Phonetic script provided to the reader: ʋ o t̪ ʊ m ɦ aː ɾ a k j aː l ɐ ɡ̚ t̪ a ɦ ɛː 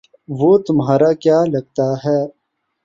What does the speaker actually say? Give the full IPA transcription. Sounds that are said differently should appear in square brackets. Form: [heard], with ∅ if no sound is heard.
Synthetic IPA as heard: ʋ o t̪ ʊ m ɦ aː ɾ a k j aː l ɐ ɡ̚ t̪ a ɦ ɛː